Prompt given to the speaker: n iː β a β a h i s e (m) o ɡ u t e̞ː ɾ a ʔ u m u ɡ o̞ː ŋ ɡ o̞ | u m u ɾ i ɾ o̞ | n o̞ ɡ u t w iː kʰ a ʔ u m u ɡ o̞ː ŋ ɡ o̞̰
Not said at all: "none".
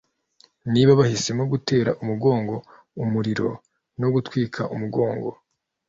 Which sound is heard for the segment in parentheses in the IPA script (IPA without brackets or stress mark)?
m